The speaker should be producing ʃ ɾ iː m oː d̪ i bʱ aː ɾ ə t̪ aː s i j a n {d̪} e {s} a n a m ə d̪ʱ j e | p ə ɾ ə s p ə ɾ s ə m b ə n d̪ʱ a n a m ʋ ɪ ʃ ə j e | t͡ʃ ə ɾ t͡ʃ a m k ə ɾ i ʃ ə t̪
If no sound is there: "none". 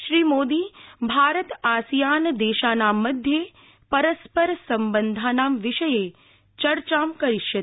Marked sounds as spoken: d̪, ʃ

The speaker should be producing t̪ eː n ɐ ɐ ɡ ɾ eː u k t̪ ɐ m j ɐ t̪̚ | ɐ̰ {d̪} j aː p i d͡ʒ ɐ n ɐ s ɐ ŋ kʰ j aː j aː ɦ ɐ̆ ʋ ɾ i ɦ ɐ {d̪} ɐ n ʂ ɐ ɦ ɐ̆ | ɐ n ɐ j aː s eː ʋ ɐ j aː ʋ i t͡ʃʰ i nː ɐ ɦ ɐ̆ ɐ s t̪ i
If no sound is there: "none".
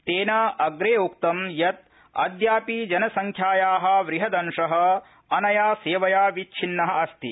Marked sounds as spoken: d̪, d̪

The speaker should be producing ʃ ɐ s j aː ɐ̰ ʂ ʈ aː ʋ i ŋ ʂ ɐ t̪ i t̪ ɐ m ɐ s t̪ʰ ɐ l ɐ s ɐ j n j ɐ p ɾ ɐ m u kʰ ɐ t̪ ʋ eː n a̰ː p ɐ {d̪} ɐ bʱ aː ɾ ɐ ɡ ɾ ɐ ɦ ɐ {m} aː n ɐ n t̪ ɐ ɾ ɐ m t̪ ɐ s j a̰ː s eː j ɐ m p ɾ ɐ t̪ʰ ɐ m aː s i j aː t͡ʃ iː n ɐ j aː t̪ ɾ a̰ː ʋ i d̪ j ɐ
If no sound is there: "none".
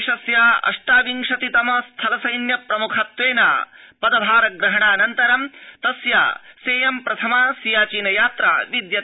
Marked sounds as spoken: d̪, ɳ

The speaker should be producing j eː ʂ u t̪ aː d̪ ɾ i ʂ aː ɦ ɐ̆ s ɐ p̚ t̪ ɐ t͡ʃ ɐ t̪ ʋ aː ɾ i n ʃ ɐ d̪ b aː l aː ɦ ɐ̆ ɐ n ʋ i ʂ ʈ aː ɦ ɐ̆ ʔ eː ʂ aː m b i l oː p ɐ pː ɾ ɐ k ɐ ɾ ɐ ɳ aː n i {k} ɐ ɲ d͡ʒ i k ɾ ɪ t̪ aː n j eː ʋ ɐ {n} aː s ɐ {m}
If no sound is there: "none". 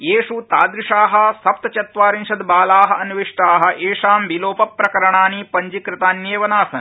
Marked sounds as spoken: p, n, n

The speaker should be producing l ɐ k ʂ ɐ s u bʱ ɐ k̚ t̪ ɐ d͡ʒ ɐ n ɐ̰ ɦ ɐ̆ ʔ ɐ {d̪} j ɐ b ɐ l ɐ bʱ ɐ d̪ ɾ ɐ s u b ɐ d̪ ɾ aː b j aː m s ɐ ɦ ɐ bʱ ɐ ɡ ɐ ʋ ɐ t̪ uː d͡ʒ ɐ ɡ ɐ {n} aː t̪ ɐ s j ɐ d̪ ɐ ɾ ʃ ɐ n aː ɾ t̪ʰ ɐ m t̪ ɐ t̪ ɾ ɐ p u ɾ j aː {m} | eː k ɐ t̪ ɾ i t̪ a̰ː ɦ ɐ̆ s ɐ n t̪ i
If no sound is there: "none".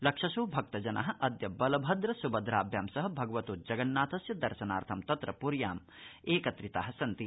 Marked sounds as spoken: d̪, nː, m

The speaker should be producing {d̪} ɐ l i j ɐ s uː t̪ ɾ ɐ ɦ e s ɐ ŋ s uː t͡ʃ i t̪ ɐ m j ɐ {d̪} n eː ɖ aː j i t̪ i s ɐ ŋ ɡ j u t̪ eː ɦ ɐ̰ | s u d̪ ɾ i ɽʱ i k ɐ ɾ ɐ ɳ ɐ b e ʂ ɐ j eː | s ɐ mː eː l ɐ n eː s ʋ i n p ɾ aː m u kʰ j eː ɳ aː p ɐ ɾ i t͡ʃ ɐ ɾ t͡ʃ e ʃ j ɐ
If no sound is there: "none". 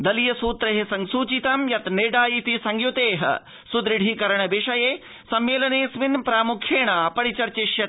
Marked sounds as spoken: d̪, t̪

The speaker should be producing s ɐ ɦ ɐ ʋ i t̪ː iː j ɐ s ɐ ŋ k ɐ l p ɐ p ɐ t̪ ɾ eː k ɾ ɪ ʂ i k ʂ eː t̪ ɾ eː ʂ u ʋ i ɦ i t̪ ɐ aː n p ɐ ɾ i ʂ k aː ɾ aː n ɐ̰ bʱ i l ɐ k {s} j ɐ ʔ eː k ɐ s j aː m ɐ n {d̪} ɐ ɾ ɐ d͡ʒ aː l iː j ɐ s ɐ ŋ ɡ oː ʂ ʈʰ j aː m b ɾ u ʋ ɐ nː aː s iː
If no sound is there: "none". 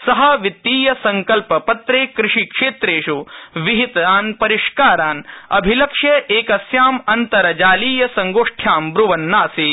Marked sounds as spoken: ʂ, t̪

